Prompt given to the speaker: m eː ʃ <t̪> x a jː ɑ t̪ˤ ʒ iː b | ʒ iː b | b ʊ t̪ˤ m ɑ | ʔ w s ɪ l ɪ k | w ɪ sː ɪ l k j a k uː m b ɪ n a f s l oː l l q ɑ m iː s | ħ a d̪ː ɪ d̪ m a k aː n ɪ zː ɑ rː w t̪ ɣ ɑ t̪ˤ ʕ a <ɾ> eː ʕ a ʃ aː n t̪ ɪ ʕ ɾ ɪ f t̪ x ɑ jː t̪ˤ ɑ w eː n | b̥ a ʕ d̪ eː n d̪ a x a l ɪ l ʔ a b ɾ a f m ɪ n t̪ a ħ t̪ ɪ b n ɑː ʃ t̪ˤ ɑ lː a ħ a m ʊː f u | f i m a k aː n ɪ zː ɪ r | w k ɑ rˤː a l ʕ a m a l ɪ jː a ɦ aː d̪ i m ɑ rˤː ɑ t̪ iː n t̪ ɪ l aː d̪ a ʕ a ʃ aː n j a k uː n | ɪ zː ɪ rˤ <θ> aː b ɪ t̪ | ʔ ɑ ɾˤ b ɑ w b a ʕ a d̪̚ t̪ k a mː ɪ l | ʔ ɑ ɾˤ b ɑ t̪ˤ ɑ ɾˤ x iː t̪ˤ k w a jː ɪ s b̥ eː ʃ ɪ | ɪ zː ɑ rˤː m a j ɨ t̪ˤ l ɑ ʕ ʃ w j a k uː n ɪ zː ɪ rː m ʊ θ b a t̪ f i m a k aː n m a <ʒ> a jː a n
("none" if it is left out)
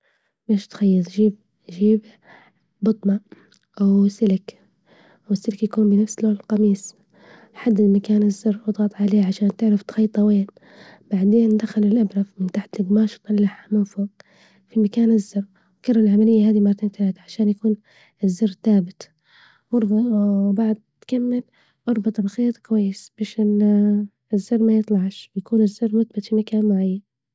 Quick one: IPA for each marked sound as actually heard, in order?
t̪, l, θ, ʕ

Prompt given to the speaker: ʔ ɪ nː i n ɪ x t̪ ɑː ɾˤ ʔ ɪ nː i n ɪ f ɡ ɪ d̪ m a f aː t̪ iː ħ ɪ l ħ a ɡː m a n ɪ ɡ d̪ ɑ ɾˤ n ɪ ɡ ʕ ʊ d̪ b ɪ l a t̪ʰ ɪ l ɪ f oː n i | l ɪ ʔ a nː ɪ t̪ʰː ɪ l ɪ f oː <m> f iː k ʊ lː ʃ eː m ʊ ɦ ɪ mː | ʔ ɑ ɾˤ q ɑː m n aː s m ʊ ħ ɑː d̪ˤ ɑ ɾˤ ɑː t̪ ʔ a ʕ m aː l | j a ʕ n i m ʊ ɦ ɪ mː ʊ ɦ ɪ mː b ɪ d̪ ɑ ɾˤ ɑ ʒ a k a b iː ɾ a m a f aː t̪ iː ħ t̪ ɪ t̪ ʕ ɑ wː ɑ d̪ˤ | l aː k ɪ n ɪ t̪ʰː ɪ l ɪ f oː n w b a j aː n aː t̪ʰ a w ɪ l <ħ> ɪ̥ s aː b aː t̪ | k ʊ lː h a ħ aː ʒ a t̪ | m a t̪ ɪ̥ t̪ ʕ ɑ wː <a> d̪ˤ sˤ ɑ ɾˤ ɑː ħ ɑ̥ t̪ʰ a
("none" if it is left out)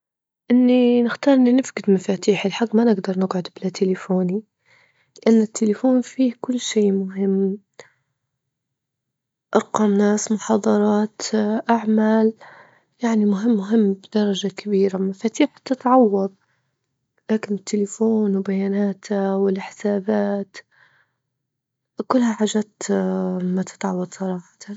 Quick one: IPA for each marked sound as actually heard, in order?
n, ħ, ɑ

